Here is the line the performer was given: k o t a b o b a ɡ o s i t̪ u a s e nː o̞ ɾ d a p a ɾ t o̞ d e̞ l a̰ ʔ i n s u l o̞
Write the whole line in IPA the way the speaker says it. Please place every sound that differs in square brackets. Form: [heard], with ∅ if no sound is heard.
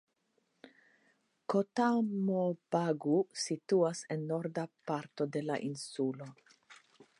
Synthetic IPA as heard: k o t a [m] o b a ɡ [u] s i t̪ u a s e nː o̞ ɾ d a p a ɾ t o̞ d e̞ l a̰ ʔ i n s u l o̞